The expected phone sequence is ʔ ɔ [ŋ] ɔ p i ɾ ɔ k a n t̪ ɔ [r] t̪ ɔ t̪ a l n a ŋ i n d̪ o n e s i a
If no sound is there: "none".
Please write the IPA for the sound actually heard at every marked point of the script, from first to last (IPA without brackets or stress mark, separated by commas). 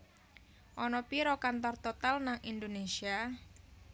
n, r